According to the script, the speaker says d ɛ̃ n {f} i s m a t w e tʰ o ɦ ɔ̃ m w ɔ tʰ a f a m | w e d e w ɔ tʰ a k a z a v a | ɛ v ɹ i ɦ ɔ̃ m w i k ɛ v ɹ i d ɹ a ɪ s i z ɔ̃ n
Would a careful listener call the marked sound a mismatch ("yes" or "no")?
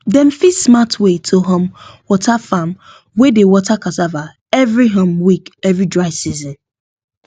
no